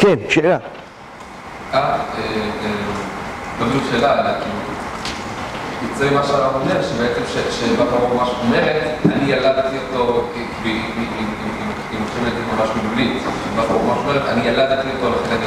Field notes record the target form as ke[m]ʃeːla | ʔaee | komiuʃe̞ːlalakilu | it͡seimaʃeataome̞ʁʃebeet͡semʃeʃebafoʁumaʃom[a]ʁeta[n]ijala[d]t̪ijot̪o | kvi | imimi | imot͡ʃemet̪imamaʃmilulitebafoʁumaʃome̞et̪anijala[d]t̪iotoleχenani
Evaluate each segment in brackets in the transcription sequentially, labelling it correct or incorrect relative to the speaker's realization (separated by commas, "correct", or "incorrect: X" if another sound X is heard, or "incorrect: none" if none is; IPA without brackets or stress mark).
incorrect: n, incorrect: e, correct, correct, correct